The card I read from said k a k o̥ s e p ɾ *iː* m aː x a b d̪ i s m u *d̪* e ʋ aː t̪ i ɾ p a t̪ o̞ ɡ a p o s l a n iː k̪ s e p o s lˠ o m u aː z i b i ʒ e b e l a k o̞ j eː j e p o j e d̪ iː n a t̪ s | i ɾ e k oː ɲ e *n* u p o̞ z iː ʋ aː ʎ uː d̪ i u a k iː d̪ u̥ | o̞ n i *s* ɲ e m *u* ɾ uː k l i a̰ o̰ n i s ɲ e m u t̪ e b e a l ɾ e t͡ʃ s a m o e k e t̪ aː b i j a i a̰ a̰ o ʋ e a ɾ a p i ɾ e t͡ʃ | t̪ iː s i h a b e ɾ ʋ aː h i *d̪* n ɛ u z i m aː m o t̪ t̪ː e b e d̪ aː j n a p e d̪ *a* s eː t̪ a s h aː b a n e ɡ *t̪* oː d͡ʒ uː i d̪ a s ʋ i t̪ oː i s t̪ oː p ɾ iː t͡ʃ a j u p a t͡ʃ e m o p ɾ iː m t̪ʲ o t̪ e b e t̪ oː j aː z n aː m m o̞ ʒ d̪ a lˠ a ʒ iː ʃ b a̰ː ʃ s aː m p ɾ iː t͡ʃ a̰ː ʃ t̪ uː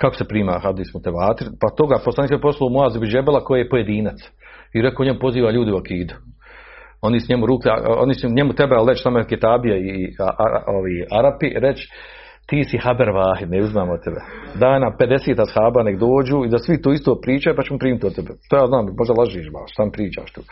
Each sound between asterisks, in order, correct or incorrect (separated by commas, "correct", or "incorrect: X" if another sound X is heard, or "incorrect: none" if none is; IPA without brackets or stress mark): correct, incorrect: t̪, incorrect: m, correct, correct, correct, incorrect: e, incorrect: d̪